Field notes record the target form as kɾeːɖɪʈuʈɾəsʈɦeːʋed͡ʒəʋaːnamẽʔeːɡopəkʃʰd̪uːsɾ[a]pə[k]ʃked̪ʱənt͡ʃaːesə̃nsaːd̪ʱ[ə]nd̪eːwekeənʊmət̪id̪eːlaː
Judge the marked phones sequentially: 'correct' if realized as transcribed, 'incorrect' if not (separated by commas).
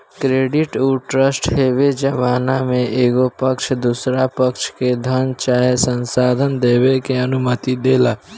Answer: correct, correct, correct